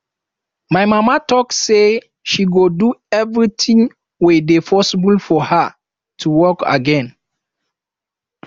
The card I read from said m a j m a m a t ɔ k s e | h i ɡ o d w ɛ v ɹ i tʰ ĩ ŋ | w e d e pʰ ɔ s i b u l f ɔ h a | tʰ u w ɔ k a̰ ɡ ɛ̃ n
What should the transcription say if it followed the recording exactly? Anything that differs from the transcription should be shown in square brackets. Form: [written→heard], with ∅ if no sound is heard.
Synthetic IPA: m a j m a m a t ɔ k s e | [h→ʃ] i ɡ o d [w→u] ɛ v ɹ i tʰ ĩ ŋ | w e d e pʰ ɔ s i b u l f ɔ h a | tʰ u w ɔ k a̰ ɡ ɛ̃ n